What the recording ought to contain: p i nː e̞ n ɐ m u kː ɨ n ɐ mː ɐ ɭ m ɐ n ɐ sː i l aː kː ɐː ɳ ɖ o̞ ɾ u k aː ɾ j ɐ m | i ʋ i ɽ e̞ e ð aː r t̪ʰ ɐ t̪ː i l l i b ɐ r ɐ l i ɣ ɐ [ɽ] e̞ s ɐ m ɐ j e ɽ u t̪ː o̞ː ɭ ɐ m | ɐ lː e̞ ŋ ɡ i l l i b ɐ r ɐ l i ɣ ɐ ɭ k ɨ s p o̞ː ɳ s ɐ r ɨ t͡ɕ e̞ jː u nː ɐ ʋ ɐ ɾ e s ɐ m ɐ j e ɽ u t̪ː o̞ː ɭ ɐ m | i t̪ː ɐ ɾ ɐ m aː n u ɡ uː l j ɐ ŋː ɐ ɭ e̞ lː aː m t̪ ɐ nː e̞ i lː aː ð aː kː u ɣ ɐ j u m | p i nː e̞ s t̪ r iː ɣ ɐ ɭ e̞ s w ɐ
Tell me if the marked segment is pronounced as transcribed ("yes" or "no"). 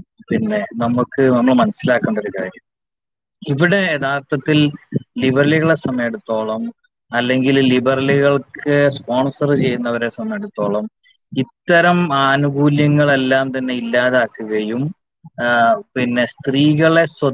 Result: no